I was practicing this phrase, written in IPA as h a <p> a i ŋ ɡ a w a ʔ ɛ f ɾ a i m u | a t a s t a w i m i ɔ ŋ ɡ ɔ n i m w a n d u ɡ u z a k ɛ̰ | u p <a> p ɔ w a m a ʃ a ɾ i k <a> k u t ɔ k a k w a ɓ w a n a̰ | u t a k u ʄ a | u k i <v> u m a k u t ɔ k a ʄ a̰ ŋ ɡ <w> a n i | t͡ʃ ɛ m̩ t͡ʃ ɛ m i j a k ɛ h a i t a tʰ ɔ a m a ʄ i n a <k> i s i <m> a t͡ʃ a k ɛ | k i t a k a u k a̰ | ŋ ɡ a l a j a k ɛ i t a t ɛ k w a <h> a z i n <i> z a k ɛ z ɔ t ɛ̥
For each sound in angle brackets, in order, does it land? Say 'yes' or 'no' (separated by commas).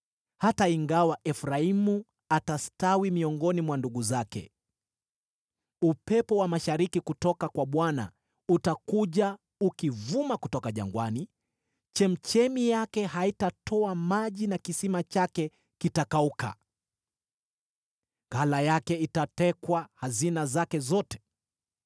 no, no, no, yes, yes, yes, yes, yes, no